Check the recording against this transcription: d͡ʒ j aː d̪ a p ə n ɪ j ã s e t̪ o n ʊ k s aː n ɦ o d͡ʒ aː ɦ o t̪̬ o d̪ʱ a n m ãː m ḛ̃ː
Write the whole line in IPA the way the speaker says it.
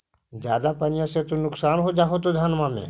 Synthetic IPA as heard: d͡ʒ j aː d̪ a p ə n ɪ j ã s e t̪ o n ʊ k s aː n ɦ o d͡ʒ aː ɦ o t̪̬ o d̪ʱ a n m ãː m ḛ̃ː

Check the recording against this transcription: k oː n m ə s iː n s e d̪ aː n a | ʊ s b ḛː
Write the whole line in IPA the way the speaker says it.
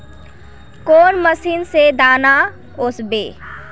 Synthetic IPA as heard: k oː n m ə s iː n s e d̪ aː n a | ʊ s b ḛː

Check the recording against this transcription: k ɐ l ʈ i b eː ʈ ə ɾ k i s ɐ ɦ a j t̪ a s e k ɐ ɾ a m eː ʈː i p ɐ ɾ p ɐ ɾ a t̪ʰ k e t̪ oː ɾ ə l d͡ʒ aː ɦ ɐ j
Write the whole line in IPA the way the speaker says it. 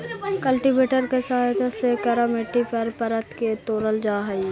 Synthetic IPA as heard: k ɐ l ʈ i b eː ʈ ə ɾ k e s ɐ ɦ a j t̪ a s e k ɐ ɾ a m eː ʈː i p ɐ ɾ p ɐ ɾ ə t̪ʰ k e t̪ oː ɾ ə l d͡ʒ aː ɦ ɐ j

